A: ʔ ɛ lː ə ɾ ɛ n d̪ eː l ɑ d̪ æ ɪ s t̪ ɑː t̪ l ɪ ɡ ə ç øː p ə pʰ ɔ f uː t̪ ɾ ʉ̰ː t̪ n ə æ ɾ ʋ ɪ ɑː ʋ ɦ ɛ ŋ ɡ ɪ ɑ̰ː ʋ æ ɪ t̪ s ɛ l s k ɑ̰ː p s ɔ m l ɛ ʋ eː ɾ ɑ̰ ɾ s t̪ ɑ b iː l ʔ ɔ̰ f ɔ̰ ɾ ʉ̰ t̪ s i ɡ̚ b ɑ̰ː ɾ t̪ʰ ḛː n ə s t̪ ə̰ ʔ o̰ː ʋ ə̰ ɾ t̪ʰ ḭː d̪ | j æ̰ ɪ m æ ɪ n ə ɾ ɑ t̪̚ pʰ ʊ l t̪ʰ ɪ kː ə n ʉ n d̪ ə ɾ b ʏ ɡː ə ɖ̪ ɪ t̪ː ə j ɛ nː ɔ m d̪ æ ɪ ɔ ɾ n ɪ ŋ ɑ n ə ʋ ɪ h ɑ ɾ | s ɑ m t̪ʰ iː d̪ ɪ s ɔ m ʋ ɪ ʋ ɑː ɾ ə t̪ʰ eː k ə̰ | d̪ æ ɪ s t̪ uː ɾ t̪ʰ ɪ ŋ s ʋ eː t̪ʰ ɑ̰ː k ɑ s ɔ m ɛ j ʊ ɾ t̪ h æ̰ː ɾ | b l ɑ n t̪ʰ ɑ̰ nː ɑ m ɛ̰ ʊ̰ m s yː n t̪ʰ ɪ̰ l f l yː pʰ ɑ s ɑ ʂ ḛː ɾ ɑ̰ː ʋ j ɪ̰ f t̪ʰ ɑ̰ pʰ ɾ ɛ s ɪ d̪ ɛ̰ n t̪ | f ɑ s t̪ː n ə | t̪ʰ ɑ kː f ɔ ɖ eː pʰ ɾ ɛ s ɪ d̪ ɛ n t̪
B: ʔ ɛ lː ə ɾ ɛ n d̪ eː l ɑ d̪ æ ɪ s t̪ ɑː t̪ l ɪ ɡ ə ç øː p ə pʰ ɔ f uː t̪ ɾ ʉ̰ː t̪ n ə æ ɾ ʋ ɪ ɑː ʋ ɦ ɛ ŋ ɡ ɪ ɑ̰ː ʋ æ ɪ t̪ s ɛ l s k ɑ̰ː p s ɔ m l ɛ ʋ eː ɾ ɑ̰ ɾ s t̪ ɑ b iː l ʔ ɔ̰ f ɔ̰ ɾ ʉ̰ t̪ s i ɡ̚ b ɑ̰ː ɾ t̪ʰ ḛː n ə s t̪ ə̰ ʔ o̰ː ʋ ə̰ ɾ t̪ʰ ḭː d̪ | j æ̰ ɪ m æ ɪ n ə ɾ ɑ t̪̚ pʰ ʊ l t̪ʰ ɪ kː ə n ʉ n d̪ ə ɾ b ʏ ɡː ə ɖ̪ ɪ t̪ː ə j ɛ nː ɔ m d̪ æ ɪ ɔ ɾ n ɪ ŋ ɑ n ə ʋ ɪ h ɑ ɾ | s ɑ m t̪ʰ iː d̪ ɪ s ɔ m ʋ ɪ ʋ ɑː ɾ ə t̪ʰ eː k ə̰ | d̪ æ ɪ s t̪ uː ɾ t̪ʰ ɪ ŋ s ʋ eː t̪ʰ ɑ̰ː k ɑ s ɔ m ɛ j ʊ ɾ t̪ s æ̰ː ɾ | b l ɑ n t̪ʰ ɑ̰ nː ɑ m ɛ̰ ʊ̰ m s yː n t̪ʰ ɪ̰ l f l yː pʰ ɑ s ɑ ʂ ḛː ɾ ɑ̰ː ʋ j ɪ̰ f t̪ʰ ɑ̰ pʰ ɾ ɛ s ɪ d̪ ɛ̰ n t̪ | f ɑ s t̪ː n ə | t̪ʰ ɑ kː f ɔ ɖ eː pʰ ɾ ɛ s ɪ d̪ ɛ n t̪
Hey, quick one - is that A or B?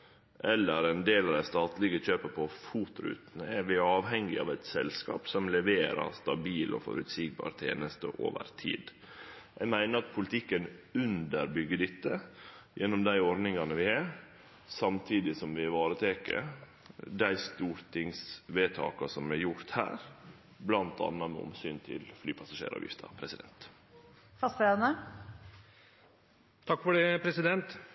A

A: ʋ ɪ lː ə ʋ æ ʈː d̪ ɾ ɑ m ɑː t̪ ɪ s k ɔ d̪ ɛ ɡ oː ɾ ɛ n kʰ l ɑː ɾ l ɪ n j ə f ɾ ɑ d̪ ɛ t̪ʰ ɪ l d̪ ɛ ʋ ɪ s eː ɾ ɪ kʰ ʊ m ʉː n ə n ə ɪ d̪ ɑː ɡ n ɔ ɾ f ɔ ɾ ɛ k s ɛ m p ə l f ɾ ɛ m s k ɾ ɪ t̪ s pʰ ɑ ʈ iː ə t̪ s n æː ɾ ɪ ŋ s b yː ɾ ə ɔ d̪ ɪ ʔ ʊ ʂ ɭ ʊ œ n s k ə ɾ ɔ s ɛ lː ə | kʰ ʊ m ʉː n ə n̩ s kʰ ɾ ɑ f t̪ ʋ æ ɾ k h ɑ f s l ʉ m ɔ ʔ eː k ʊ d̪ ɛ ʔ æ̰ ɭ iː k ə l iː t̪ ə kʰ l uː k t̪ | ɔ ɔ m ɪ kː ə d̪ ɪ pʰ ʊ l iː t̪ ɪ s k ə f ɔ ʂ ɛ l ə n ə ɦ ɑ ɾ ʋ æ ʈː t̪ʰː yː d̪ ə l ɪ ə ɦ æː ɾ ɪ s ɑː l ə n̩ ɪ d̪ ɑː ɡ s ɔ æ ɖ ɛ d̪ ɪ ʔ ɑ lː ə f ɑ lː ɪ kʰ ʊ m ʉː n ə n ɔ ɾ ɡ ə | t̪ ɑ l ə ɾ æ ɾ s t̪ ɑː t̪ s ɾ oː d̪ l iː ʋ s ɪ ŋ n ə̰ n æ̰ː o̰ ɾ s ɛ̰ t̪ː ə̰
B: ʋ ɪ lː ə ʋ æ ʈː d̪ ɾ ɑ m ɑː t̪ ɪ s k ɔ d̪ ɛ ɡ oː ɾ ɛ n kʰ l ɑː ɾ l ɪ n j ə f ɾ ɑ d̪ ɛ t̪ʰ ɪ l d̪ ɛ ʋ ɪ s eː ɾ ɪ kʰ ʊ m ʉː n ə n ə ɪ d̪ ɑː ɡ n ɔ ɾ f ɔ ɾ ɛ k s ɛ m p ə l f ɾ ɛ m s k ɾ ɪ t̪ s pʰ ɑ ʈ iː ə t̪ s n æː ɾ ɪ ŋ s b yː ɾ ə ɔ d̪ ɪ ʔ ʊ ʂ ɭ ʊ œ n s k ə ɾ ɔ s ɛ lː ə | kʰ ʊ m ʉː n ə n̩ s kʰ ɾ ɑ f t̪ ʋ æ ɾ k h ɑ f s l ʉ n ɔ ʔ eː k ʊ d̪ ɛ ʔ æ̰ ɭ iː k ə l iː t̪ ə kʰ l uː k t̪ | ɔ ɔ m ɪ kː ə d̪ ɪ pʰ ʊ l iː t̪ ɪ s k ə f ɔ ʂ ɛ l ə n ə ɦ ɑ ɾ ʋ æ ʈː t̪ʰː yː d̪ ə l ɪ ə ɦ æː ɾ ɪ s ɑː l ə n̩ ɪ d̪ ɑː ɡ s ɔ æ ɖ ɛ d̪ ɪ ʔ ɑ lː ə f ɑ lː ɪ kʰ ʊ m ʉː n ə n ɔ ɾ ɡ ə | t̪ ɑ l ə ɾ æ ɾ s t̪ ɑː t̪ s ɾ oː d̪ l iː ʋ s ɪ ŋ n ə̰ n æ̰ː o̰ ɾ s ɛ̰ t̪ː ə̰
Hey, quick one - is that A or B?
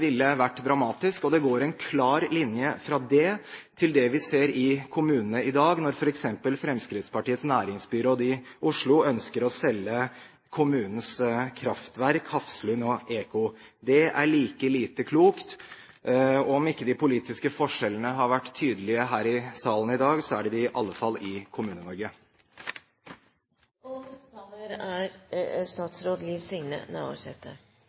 B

